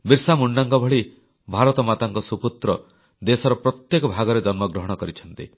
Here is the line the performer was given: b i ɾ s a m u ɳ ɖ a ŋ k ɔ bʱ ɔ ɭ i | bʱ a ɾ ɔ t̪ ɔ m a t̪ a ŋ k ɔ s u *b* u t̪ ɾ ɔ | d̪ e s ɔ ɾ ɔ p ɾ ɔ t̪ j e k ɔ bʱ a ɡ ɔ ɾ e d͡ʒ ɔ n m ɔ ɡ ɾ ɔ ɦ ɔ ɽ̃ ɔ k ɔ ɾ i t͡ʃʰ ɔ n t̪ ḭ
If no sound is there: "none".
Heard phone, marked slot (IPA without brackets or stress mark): p